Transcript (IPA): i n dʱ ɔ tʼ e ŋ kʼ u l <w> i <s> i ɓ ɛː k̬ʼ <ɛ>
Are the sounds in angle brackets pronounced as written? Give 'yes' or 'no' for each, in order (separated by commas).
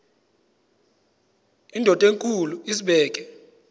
no, yes, yes